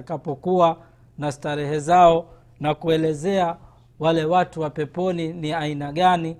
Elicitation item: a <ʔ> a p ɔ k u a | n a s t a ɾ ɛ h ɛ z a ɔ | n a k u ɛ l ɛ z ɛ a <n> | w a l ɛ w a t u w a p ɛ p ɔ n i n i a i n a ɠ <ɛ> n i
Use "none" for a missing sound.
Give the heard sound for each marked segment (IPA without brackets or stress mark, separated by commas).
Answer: k, none, a